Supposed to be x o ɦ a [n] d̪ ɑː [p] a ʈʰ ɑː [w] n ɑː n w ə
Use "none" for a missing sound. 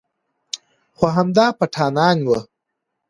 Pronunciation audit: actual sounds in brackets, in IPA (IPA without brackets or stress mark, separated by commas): m, p, none